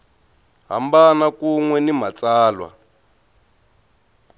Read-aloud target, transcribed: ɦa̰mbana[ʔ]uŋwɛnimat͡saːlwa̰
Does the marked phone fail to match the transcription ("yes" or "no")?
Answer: yes